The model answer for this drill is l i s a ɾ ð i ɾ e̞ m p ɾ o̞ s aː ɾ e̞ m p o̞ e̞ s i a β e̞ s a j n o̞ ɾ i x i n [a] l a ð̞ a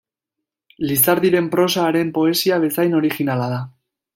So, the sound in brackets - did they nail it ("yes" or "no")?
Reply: yes